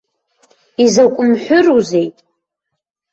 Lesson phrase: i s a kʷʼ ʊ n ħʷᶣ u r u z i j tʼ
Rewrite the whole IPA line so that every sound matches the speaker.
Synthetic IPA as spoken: i z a kʷʼ ʊ m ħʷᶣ ʊ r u z e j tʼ